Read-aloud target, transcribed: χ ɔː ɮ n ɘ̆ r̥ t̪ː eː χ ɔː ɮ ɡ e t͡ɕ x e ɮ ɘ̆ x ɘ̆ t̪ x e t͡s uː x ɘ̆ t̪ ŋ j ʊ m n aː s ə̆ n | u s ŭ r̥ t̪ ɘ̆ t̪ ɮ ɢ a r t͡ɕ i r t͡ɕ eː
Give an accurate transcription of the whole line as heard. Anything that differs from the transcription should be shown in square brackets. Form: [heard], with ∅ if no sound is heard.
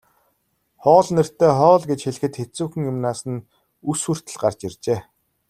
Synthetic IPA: χ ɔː ɮ n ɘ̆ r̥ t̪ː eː χ ɔː ɮ ɡ e t͡ɕ x e ɮ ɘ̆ x ɘ̆ t̪ x e t͡s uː x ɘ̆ [∅] ŋ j ʊ m n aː s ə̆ n | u s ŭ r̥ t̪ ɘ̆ [∅] ɮ ɢ a r t͡ɕ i r t͡ɕ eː